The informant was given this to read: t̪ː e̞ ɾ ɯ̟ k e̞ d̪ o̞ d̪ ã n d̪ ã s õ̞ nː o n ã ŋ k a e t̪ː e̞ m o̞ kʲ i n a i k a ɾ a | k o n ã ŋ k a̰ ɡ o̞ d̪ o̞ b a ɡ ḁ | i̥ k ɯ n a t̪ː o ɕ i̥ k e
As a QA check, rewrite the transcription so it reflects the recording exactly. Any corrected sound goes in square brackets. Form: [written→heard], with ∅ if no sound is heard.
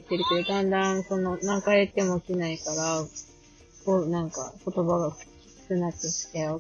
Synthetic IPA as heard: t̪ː e̞ ɾ ɯ̟ k e̞ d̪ o̞ d̪ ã n d̪ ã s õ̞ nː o n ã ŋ k a e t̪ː e̞ m o̞ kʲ i n a i k a ɾ a | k o n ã ŋ k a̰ [ɡ→k] o̞ [d̪→t̪] o̞ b a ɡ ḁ | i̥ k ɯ n a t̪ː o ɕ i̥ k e